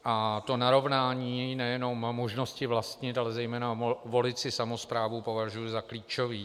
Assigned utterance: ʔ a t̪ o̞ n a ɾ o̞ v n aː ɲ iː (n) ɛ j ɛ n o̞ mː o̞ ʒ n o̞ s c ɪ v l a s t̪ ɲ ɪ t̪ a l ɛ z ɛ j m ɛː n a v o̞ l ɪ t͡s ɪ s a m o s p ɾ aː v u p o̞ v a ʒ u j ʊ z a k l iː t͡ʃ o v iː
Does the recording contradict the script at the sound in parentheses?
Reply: no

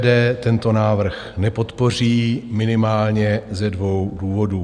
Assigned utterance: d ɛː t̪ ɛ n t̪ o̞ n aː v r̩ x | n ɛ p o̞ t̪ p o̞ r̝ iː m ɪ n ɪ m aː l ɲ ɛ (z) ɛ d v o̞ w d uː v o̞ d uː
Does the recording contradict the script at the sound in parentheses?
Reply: no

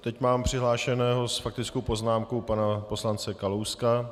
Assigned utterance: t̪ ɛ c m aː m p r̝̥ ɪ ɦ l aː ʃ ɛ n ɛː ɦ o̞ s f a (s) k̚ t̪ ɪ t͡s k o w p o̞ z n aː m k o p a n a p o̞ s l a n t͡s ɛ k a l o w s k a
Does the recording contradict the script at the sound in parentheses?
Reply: yes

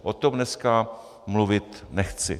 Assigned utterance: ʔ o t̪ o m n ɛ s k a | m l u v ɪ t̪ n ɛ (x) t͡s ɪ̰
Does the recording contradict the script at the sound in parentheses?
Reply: no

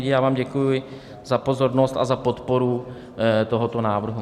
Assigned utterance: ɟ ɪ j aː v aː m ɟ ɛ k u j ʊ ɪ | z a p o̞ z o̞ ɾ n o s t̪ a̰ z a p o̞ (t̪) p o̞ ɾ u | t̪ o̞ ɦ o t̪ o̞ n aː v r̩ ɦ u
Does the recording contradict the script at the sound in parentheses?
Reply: no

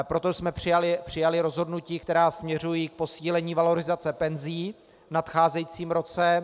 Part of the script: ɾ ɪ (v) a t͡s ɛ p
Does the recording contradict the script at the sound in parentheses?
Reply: yes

